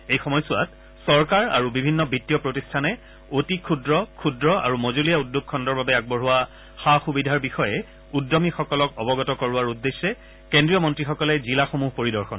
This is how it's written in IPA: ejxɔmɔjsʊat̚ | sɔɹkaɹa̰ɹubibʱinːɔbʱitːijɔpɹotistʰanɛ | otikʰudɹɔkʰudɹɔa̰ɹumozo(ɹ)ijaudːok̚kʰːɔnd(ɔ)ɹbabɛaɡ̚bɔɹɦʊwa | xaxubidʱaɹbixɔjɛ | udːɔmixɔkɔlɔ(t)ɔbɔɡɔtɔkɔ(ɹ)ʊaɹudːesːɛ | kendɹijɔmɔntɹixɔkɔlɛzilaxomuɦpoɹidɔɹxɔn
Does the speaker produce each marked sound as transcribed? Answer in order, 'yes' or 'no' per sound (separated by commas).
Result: no, yes, no, yes